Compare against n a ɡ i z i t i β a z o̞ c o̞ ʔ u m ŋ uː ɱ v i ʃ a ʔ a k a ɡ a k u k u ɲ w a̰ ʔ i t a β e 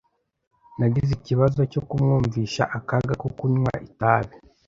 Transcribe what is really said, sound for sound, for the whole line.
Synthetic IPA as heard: n a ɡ i z i c i β a z o̞ c o̞ k u m ŋ uː ɱ v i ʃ a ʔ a k a ɡ a k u k u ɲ w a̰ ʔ i t a β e